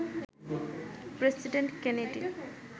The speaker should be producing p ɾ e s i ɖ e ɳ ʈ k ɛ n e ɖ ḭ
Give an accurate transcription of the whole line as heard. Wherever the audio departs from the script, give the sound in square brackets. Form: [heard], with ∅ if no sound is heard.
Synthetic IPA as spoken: p ɾ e s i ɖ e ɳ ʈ k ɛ n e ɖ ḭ